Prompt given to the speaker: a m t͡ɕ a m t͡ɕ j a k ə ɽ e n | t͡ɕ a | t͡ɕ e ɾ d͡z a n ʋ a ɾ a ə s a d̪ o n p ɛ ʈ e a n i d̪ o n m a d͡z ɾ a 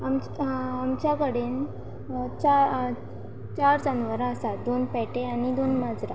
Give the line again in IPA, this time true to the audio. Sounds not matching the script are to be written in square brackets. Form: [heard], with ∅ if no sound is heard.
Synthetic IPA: a m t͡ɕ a m t͡ɕ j a k ə ɽ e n | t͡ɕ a | t͡ɕ [a] ɾ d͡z a n ʋ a ɾ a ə s a d̪ o n p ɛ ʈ e a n i d̪ o n m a d͡z ɾ a